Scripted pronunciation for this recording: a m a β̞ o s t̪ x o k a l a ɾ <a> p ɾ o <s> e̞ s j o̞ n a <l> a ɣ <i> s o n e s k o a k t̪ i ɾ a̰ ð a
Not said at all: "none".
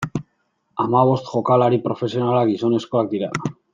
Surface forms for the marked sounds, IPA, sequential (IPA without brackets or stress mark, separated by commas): i, f, l, i